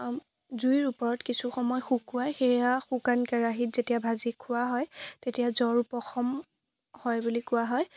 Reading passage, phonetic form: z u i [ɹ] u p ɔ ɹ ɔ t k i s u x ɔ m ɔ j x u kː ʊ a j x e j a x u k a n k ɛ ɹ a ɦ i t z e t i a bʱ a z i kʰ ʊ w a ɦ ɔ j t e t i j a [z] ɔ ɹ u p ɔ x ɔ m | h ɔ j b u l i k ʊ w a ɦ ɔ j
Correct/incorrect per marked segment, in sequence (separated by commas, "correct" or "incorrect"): correct, correct